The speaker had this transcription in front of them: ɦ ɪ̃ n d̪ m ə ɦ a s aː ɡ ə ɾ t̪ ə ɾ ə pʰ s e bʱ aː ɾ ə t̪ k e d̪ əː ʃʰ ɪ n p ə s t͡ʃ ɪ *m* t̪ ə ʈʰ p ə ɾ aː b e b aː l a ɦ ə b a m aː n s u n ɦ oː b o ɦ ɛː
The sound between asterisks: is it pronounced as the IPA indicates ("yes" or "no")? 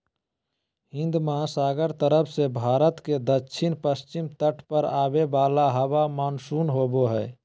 yes